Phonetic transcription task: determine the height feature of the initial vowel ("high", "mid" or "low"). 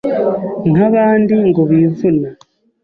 low